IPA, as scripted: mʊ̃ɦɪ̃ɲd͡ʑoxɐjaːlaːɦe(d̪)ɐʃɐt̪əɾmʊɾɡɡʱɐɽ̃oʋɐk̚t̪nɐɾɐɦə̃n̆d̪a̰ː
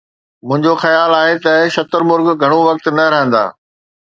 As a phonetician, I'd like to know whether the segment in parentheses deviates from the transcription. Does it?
yes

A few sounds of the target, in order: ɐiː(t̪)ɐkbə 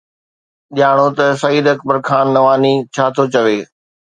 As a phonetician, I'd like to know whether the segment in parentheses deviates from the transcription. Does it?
yes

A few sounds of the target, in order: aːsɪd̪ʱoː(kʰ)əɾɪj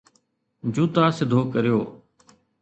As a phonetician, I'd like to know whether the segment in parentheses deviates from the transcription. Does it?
yes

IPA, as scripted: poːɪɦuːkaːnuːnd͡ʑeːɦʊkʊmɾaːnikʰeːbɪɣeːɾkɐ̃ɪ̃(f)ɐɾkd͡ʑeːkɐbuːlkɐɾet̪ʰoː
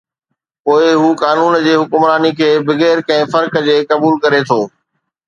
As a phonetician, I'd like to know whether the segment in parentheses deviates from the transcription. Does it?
no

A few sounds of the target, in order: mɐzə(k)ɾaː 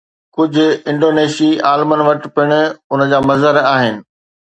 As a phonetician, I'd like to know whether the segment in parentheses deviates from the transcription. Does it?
yes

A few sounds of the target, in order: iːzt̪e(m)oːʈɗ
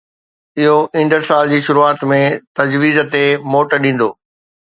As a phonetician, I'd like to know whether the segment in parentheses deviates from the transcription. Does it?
no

